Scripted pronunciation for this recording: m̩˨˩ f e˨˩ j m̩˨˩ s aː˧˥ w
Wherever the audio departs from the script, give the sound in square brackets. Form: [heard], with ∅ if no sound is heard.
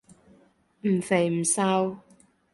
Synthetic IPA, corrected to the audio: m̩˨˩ f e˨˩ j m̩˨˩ s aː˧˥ w